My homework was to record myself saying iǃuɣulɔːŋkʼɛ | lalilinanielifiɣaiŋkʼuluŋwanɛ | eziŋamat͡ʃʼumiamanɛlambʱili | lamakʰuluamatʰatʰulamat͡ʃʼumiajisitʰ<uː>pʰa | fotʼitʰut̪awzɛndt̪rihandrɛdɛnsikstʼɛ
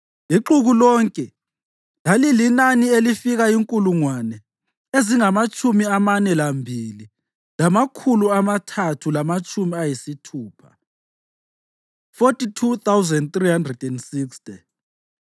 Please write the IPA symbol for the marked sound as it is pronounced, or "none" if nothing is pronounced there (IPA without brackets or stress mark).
uː